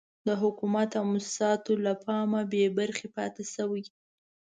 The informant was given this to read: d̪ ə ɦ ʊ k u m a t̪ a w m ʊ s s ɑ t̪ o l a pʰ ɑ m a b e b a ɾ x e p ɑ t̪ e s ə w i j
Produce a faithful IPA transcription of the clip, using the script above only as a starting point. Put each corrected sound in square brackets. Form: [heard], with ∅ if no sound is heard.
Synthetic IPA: d̪ ə ɦ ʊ k u m a t̪ a w m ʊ s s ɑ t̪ o l a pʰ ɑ m a b e b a ɾ x e p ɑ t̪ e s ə w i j